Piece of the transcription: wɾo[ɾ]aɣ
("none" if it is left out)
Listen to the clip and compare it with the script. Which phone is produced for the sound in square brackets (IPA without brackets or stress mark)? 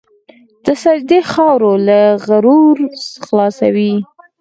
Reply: l